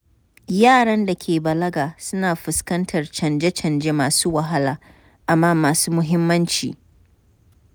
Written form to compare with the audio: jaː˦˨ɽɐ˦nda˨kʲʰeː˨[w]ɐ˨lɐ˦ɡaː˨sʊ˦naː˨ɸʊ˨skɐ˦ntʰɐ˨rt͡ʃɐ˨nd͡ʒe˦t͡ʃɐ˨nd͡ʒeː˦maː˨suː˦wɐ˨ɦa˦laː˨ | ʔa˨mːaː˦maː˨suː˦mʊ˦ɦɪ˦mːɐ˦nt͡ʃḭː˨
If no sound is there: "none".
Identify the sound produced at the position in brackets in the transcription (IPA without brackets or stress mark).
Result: b